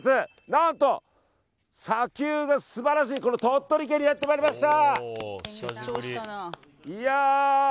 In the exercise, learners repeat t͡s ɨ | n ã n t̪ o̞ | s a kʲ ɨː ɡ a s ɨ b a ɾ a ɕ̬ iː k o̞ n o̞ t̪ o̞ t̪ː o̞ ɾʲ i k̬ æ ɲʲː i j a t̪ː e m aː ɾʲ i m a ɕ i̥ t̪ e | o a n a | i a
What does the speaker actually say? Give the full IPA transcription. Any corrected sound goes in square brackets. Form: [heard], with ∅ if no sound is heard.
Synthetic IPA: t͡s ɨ | n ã n t̪ o̞ | s a kʲ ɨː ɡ a s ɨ b a ɾ a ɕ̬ iː k o̞ n o̞ t̪ o̞ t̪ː o̞ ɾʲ i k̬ [e] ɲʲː i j a t̪ː e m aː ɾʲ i m a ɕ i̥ t̪ [a] | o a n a | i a